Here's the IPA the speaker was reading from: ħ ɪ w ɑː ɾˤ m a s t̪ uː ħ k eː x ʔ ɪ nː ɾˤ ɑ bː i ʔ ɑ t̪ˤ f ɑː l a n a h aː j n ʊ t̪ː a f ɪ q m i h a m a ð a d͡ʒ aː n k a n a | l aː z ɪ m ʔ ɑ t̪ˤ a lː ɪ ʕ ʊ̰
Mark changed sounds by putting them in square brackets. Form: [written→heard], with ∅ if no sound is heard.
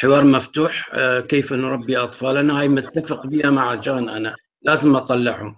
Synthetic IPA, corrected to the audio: ħ ɪ w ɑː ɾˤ m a [s→f] t̪ uː ħ k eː [x→f] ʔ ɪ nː ɾˤ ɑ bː i ʔ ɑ t̪ˤ f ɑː l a n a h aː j [n→m] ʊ t̪ː a f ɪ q [m→b] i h a m a [ð→ʕ] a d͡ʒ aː n [k→ʔ] a n a | l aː z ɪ m ʔ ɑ t̪ˤ [a→ɑ] lː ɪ ʕ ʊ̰

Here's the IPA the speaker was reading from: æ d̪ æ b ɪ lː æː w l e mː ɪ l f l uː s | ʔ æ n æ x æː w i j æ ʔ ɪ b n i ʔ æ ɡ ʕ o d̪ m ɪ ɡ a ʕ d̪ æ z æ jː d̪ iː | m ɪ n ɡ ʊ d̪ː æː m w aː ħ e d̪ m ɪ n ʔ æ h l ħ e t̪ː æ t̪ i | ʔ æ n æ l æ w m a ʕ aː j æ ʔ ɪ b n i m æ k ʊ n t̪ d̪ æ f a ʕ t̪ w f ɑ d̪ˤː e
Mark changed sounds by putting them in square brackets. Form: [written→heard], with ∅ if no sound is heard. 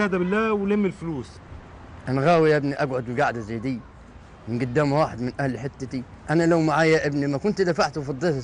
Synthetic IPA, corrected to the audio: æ d̪ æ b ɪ lː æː w l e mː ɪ l f l uː s | ʔ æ n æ [x→ɣ] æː w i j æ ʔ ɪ b n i ʔ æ ɡ ʕ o d̪ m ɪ ɡ a ʕ d̪ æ z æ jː d̪ iː | m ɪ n ɡ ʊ d̪ː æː m w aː ħ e d̪ m ɪ n ʔ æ h l ħ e t̪ː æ t̪ i | ʔ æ n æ l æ w m a ʕ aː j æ ʔ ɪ b n i m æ k ʊ n t̪ d̪ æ f a ʕ t̪ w f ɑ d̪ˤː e

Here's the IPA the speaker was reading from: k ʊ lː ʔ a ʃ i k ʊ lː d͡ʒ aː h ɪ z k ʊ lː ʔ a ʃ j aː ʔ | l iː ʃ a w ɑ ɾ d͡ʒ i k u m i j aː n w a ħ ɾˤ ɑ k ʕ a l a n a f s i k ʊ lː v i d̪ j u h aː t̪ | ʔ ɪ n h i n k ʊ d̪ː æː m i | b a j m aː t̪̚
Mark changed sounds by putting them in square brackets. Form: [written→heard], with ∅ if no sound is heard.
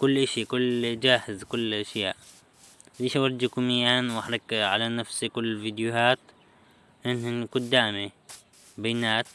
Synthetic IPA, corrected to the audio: k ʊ lː ʔ a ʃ i k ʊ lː d͡ʒ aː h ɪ z k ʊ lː ʔ a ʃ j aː ʔ | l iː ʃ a w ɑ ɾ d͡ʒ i k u m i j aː n w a ħ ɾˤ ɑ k ʕ a l a n a f s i k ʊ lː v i d̪ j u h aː t̪ | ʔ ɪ n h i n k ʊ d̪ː [æː→aː] m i | b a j [m→n] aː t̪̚

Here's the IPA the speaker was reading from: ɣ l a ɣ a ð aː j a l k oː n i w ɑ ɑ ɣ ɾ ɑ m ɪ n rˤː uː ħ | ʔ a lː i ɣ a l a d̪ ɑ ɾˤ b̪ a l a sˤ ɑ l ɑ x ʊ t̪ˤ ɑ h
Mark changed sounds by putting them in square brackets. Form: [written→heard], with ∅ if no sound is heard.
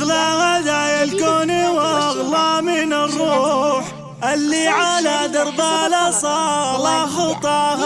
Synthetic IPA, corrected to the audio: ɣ l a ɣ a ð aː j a l k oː n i w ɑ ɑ ɣ [ɾ→l] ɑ m ɪ n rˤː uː ħ | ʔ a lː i [ɣ→ʕ] a l a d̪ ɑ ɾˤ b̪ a l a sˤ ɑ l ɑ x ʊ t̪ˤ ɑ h

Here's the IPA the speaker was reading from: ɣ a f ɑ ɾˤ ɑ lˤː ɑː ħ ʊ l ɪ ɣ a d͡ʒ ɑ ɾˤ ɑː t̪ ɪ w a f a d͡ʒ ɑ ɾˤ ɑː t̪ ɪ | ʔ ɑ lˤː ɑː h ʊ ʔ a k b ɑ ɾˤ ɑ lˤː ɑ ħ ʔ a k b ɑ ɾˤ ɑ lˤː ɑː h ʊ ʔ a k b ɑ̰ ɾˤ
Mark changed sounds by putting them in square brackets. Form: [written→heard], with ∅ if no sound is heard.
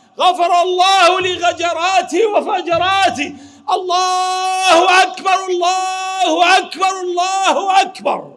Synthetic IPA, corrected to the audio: ɣ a f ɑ ɾˤ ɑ lˤː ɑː [ħ→h] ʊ l ɪ ɣ a d͡ʒ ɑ ɾˤ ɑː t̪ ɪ w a f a d͡ʒ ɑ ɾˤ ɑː t̪ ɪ | ʔ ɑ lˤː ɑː h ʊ ʔ a k b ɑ ɾˤ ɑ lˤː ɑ [ħ→h] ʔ a k b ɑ ɾˤ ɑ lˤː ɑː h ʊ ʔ a k b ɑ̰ ɾˤ

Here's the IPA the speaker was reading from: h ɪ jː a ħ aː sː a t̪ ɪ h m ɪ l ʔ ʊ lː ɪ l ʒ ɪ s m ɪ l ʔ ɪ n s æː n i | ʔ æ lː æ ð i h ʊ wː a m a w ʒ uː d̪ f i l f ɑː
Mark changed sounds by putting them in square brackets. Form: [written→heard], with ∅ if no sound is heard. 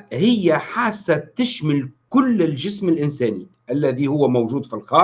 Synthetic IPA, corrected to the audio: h ɪ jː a ħ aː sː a t̪ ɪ [h→ʃ] m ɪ l [ʔ→k] ʊ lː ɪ l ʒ ɪ s m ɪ l ʔ ɪ n s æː n i | ʔ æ lː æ ð i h ʊ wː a m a w ʒ uː d̪ f i l [f→x] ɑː

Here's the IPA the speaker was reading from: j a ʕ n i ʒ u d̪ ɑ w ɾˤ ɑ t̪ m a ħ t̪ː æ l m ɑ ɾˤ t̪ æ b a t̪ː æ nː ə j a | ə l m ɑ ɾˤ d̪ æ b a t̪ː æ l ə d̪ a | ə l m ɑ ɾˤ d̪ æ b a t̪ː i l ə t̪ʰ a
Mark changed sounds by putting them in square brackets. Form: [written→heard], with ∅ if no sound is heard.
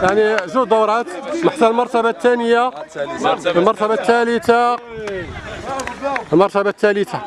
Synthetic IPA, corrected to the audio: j a ʕ n i ʒ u d̪ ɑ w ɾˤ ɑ t̪ m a ħ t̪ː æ l m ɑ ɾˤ t̪ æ b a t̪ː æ [nː→n] ə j a | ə l m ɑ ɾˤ [d̪→t̪] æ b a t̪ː æ l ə [d̪→t̪] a | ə l m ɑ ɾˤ [d̪→t̪] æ b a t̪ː [i→æ] l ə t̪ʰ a

